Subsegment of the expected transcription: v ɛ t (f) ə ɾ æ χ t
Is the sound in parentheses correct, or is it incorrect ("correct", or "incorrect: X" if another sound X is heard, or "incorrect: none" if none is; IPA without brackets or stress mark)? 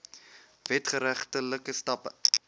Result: incorrect: χ